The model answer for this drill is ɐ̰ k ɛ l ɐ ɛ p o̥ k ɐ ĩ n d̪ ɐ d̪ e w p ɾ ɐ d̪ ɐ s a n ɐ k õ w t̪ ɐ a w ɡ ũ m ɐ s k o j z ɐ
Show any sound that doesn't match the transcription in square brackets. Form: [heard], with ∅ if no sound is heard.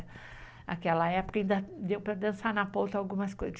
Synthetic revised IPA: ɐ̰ k ɛ l ɐ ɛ p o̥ k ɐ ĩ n d̪ ɐ d̪ e w p ɾ ɐ d̪ [ɐ̃] s a n ɐ [p] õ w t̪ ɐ a w ɡ ũ m ɐ s k o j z ɐ

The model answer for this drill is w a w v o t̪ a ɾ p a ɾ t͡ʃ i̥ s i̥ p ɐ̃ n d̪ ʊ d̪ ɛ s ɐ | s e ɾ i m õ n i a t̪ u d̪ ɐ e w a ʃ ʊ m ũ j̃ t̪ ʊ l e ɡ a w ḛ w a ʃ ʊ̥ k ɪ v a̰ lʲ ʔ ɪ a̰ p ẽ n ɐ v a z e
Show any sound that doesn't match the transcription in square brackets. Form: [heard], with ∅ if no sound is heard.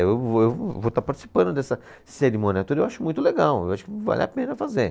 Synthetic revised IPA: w [e] w v o t̪ a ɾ p a ɾ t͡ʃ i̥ s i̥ p ɐ̃ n d̪ ʊ d̪ ɛ s ɐ | s e ɾ i m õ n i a t̪ u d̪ ɐ e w a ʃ ʊ m ũ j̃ t̪ ʊ l e ɡ a w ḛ w a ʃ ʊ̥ k ɪ v a̰ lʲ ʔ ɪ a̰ p ẽ n ɐ [f] a z e

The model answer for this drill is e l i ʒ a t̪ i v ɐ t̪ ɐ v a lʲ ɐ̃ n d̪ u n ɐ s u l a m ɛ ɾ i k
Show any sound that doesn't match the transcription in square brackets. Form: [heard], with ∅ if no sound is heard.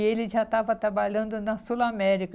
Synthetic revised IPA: e l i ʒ a t̪ [a] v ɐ t̪ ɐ [b] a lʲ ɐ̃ n d̪ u n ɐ s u l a m ɛ ɾ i k

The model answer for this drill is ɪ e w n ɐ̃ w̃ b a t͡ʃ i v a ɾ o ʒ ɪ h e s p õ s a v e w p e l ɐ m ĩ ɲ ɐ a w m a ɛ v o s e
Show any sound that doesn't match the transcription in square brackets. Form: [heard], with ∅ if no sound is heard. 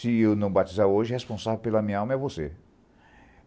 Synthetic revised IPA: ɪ e w n ɐ̃ w̃ b a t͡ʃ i [z] a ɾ o ʒ ɪ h e s p õ s a v e w p e l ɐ m ĩ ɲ ɐ a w m [ɐ] ɛ v o s e

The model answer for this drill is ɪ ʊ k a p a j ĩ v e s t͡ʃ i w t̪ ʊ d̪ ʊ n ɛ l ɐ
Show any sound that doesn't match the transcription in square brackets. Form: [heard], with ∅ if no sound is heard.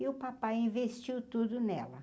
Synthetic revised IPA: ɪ ʊ [p] a p a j ĩ v e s t͡ʃ i w t̪ [u] d̪ ʊ n ɛ l ɐ

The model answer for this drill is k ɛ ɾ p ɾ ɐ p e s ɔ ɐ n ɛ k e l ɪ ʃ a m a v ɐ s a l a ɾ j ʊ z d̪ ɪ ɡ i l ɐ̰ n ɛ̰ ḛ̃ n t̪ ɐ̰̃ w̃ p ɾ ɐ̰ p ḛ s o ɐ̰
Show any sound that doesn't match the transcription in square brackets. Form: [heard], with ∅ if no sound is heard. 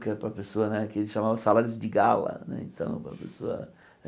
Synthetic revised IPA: k ɛ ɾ p ɾ ɐ p e s [o] ɐ n ɛ k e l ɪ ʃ a m a v ɐ s a l a ɾ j ʊ z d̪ ɪ ɡ [a] l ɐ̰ n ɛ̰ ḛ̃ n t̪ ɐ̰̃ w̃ p ɾ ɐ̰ p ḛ s o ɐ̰

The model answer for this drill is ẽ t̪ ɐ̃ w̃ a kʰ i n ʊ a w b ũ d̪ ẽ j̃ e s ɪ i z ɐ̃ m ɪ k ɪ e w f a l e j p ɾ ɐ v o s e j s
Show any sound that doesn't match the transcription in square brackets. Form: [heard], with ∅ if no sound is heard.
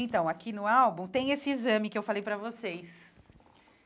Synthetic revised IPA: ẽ t̪ ɐ̃ w̃ a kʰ i n ʊ a w b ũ [t̪] ẽ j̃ e s ɪ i z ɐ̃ m ɪ k ɪ e w f a l e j p ɾ ɐ v o s e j s

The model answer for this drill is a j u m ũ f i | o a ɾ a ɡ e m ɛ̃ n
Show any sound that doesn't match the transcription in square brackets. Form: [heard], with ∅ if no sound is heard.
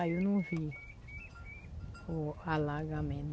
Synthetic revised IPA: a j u [n] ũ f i | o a [l] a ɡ [a] m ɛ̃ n

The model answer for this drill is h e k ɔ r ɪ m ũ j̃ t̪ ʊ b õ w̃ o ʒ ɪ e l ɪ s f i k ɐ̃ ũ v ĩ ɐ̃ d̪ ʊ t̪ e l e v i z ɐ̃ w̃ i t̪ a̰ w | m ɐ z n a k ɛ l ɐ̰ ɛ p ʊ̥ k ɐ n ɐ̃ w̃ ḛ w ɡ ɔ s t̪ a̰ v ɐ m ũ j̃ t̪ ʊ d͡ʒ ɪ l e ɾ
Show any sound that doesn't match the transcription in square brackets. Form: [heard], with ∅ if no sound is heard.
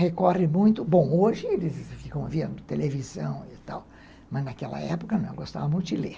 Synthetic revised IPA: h e k ɔ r ɪ m ũ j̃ t̪ ʊ b õ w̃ o ʒ ɪ e l ɪ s f i k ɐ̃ [w̃] v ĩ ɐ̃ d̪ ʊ t̪ e l e v i z ɐ̃ w̃ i t̪ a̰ w | m ɐ z n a k ɛ l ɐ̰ ɛ p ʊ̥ k ɐ n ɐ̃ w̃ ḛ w ɡ [o] s t̪ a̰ v ɐ m ũ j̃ t̪ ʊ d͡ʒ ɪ l e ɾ

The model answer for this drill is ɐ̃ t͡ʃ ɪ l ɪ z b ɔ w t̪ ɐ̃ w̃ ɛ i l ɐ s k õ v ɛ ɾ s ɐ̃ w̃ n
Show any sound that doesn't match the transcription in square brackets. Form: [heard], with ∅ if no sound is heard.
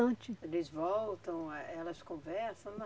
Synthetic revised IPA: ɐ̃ t͡ʃ ɪ l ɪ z [v] ɔ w t̪ ɐ̃ w̃ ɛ [ɛ] l ɐ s k õ v ɛ ɾ s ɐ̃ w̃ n

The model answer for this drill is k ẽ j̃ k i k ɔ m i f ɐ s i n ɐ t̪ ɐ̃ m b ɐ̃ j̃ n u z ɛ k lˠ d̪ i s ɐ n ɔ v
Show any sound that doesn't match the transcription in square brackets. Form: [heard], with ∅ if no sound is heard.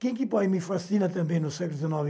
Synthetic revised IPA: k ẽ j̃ k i [p] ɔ m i f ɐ s i n ɐ t̪ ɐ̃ m b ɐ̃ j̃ n u [s] ɛ k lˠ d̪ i [z] ɐ n ɔ v

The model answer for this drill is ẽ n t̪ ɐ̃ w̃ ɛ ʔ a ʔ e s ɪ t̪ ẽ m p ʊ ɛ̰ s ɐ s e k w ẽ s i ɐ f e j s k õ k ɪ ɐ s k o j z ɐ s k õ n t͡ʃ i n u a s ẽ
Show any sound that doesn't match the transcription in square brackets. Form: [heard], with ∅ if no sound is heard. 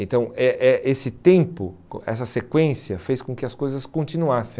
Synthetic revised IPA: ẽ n t̪ ɐ̃ w̃ ɛ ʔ [ɛ] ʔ e s ɪ t̪ ẽ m p ʊ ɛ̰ s ɐ s e k w ẽ s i ɐ f e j s k õ k ɪ ɐ s k o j z ɐ s k õ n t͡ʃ i n u a s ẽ

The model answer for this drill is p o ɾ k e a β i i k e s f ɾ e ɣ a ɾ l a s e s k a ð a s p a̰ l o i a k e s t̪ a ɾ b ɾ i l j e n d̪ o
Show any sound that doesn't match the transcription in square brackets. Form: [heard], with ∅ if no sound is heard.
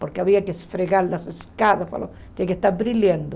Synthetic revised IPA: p o ɾ k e a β i [a] k e s f ɾ e ɣ a ɾ l a s e s k a ð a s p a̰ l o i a k e s t̪ a ɾ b ɾ i l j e n d̪ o

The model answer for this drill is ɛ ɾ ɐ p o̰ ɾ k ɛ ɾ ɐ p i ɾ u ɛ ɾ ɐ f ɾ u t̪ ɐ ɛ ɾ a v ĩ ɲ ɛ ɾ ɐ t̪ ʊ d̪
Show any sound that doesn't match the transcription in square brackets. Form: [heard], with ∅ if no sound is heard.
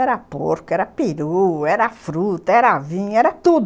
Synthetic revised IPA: ɛ ɾ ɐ p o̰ ɾ k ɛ ɾ ɐ p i ɾ u ɛ ɾ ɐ f ɾ u t̪ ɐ ɛ ɾ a v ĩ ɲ ɛ ɾ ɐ t̪ [u] d̪

